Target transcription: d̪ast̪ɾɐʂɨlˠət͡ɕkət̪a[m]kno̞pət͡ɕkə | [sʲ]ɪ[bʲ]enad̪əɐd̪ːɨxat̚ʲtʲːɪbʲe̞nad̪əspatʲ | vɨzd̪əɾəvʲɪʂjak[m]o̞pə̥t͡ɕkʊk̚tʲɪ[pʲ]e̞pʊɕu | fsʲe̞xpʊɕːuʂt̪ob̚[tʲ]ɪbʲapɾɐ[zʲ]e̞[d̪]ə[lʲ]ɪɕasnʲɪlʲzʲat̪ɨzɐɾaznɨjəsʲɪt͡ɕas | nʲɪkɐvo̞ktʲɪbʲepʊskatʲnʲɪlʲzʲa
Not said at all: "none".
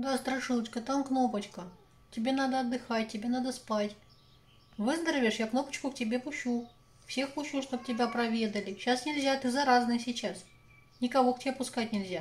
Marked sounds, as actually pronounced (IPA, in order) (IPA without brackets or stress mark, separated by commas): m, tʲ, bʲ, n, bʲ, tʲ, vʲ, d̪, lʲ